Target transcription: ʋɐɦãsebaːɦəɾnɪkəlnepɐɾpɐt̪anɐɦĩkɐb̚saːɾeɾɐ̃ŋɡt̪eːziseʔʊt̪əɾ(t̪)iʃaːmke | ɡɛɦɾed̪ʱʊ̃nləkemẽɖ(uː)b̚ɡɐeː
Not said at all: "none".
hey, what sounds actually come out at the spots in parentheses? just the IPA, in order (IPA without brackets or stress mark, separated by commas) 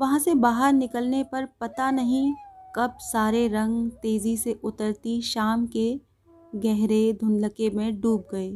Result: t̪, uː